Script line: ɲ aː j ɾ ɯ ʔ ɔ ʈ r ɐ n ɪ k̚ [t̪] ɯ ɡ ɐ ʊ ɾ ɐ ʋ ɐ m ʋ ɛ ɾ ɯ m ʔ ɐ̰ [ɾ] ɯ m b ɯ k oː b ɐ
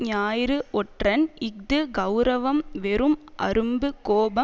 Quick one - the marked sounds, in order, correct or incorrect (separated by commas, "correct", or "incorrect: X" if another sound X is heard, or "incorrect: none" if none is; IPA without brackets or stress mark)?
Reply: incorrect: d̪, correct